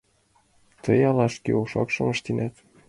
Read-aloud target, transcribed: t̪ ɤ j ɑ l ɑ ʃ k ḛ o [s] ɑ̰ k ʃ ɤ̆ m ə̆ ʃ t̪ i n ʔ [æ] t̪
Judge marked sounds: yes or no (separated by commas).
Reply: no, yes